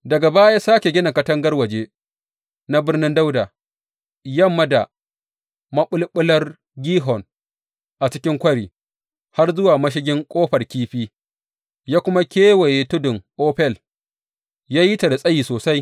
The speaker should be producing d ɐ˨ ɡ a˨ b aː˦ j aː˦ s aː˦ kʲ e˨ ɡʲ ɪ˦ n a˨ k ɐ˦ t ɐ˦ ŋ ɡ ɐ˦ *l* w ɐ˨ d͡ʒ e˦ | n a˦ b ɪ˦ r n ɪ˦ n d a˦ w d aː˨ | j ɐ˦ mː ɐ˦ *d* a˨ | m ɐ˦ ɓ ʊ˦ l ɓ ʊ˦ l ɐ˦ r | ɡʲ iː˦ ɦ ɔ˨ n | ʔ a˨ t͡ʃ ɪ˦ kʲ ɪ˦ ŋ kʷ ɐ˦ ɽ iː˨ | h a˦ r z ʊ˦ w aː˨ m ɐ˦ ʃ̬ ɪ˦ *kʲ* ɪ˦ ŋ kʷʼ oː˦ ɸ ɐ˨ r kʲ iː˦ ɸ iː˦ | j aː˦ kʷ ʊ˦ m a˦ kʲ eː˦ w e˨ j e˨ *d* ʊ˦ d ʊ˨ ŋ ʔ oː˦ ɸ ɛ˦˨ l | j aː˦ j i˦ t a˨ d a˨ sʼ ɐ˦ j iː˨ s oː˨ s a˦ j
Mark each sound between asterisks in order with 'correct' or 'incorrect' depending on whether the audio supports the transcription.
incorrect: r, correct, incorrect: ɡʲ, incorrect: t

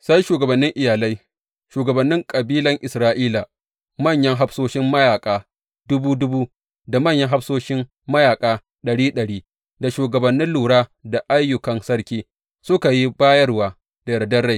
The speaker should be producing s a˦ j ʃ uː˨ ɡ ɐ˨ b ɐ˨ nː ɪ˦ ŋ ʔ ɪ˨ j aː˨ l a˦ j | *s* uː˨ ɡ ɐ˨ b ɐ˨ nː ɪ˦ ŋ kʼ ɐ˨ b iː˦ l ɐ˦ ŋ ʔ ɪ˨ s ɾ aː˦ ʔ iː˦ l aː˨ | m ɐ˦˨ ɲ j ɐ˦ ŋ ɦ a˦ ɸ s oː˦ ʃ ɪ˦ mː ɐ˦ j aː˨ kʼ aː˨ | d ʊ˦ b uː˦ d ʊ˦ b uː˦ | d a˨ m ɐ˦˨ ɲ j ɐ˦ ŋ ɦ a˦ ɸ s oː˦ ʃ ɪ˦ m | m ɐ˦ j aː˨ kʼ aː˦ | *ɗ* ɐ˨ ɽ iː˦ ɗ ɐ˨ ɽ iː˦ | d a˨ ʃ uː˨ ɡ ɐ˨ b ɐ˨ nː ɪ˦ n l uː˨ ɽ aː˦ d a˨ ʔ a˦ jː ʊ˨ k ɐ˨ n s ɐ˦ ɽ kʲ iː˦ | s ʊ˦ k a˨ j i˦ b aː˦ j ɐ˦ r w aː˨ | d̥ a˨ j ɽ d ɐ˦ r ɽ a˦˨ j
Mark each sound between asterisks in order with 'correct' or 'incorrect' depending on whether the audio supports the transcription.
incorrect: ʃ, correct

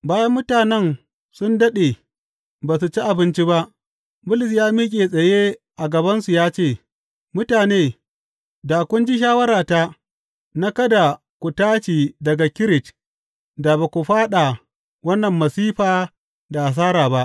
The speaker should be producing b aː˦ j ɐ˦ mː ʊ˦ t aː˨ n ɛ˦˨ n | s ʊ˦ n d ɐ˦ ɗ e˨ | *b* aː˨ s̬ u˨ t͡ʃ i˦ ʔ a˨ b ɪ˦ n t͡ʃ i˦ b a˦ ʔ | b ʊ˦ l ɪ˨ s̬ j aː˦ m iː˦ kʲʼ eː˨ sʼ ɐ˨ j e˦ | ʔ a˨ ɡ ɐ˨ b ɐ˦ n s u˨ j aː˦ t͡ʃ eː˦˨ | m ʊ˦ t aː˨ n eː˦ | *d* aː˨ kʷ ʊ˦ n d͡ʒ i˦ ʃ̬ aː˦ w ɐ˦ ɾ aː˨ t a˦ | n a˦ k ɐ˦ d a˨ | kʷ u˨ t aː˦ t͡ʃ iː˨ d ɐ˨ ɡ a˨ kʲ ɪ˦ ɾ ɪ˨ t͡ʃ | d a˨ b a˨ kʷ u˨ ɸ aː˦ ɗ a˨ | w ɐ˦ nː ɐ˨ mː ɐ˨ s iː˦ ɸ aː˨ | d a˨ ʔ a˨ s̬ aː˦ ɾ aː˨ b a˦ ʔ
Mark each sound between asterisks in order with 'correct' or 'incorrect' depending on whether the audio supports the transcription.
correct, correct

